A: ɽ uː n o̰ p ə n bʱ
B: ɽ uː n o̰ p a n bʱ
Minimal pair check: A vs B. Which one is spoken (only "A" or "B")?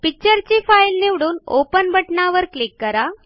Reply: A